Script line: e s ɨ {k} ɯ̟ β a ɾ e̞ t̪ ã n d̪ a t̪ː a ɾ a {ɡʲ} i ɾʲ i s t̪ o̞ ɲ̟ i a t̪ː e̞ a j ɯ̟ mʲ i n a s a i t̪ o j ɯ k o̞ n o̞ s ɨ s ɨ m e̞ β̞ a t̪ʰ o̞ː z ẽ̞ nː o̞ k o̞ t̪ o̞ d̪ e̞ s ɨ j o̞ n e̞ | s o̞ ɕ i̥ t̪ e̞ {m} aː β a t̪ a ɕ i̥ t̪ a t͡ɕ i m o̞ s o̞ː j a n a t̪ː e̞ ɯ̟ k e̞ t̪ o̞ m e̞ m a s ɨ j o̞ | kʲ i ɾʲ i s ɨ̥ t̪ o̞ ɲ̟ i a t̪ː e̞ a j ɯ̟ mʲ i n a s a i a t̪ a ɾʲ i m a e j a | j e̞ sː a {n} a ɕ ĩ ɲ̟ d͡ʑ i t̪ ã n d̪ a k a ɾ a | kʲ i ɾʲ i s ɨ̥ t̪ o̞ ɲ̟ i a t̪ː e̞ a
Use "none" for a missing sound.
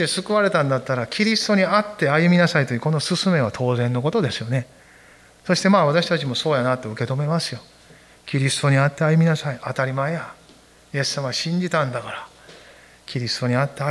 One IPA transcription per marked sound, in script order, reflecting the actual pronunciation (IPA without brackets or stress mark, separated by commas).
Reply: k, kʲ, m, m